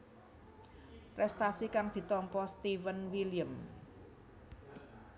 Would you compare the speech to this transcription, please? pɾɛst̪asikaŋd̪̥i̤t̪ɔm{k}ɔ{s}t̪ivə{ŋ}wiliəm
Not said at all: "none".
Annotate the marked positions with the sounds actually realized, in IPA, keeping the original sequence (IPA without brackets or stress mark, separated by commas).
p, s, n